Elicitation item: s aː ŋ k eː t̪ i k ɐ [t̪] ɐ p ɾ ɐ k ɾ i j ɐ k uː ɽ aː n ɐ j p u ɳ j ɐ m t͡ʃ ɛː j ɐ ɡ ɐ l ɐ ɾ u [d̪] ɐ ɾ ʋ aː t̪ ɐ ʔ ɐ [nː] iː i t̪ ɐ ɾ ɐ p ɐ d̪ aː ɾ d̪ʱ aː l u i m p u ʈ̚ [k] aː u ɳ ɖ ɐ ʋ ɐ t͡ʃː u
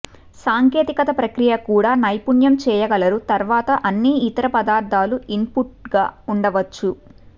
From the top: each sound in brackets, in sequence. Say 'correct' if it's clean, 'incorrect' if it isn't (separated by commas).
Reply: correct, incorrect, correct, incorrect